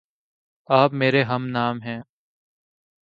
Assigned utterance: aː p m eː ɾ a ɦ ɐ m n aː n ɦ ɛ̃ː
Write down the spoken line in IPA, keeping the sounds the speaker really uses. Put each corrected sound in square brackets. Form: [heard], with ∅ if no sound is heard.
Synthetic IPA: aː p m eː ɾ [e] ɦ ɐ m n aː [m] ɦ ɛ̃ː